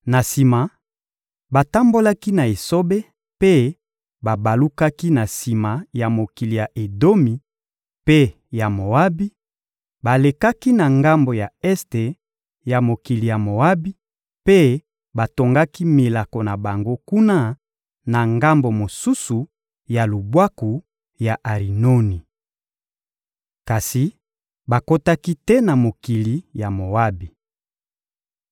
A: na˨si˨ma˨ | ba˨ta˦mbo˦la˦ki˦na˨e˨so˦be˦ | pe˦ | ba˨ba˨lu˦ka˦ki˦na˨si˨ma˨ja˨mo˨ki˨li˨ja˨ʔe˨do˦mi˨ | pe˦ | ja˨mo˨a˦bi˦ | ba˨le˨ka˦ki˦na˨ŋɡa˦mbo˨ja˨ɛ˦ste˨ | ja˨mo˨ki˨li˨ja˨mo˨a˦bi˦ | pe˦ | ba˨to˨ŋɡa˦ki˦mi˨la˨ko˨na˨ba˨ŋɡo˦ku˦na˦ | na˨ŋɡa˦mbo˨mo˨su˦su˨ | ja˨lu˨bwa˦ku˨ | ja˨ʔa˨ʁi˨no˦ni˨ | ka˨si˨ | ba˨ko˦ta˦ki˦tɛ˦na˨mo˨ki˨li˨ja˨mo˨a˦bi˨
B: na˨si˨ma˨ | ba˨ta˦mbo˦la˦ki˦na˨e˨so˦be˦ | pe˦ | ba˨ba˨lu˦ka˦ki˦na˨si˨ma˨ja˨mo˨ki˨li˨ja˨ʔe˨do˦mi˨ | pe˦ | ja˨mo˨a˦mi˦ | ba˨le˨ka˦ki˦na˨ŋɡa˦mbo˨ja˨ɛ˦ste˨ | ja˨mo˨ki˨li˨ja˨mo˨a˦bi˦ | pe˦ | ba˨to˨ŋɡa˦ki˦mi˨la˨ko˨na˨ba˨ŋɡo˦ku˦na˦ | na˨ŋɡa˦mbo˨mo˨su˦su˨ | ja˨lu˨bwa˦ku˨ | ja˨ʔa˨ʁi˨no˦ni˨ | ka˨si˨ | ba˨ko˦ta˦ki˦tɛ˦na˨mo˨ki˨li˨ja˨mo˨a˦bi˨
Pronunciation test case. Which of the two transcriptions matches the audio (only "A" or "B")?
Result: A